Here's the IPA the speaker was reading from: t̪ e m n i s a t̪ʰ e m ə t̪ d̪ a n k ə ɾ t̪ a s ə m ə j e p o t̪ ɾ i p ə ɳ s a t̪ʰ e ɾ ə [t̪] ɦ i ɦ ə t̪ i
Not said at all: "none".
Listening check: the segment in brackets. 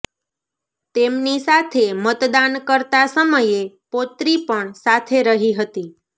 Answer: none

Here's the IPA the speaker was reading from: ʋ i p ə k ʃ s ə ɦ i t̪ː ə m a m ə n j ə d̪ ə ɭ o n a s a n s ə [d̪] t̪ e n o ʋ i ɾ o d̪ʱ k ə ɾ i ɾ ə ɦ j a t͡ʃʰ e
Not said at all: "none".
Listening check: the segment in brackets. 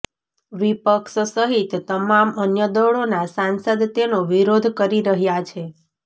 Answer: d̪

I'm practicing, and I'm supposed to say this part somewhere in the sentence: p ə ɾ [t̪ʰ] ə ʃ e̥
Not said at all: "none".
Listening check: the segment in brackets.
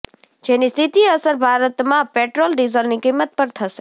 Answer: t̪ʰ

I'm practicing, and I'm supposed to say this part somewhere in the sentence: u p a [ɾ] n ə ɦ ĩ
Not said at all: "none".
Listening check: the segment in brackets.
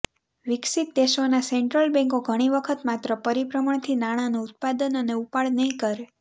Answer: ɭ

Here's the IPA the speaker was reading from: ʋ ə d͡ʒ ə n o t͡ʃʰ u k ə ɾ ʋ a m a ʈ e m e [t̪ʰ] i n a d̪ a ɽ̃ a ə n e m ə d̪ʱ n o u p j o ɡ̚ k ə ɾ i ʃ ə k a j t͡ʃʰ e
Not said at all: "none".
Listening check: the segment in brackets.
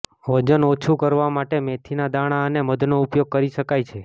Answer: t̪ʰ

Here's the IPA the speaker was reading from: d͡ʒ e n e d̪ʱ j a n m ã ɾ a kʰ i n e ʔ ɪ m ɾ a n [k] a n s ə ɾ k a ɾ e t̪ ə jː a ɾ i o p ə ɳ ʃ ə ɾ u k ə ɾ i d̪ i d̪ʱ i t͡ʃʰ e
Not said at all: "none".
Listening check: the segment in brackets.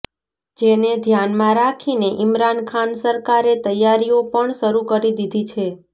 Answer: kʰ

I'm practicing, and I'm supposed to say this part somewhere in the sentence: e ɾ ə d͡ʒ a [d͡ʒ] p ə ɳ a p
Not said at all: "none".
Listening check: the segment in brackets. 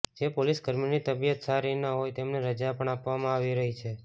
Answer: none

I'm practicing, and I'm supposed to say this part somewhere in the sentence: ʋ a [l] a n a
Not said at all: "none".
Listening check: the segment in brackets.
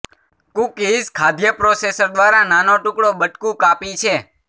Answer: ɾ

